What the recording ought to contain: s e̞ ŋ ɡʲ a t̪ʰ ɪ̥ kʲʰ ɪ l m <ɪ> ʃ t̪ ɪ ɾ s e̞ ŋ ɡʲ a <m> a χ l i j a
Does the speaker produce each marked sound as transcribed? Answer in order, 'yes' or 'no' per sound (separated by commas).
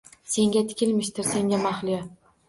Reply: yes, yes